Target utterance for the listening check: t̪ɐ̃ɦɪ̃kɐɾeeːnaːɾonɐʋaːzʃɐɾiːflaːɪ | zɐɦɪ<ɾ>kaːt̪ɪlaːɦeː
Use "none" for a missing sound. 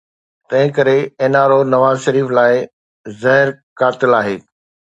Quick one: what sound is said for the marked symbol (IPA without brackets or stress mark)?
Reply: ɾ